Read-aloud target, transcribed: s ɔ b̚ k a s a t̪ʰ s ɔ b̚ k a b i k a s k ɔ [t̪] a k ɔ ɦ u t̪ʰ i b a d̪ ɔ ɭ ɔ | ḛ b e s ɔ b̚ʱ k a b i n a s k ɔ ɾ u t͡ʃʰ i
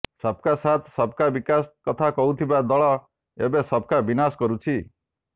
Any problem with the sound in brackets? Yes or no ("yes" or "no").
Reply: yes